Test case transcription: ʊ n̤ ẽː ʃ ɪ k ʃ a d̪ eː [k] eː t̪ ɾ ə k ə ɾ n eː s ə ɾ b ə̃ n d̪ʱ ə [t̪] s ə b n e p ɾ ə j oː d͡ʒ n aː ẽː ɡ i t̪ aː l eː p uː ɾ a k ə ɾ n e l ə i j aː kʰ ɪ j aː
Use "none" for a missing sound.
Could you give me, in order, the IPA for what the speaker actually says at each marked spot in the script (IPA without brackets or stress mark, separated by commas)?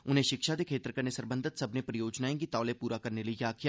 kʰ, t̪